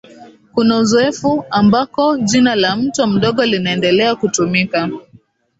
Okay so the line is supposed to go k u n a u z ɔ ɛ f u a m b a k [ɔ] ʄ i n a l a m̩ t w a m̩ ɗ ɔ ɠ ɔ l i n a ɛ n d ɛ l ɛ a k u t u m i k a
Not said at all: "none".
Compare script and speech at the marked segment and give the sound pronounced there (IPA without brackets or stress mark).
ɔ